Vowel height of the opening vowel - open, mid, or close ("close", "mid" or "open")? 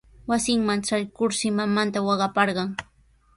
open